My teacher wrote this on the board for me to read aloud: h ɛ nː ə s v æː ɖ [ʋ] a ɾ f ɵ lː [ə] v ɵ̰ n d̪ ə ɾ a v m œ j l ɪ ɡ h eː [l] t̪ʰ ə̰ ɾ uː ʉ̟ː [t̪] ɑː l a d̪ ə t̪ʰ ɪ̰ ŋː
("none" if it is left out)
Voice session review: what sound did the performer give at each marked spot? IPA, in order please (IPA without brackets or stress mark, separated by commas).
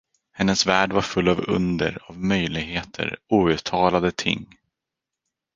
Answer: v, a, none, t̪ʰ